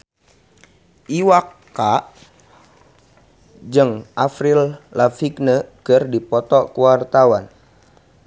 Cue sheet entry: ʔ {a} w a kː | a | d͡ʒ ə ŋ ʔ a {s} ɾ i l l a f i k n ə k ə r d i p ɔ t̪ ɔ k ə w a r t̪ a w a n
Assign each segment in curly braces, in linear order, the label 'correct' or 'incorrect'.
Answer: incorrect: i, incorrect: f

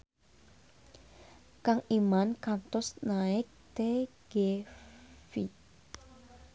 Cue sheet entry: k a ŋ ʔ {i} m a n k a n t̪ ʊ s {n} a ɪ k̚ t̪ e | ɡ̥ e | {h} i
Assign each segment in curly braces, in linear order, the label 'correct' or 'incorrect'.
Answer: correct, correct, incorrect: f

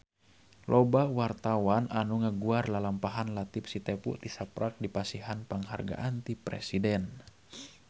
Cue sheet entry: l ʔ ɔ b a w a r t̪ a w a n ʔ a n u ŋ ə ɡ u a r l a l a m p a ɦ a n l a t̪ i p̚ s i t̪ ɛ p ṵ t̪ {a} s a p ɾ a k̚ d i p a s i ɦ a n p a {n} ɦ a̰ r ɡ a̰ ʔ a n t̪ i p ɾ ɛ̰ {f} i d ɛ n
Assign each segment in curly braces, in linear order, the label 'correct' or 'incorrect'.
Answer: incorrect: i, incorrect: ŋ, incorrect: s

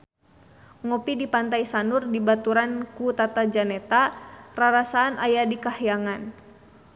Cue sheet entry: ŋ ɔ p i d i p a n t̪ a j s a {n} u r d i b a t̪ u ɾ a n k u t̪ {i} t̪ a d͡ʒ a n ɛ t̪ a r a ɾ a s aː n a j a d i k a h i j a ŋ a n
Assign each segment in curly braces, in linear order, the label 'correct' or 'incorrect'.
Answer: correct, incorrect: a

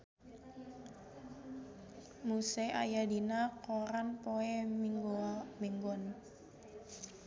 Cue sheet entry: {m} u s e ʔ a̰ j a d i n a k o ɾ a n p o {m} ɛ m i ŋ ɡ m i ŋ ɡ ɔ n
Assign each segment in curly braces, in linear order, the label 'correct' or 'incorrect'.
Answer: correct, incorrect: none

